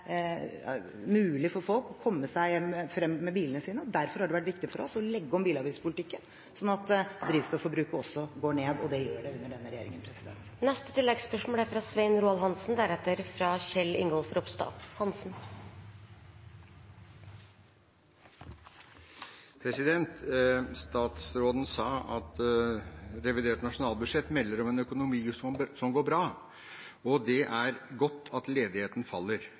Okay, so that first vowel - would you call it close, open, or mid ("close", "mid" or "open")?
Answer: close